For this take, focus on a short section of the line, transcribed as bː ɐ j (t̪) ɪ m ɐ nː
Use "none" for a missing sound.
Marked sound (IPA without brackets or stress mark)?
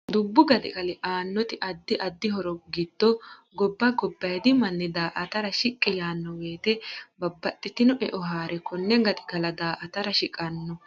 d̪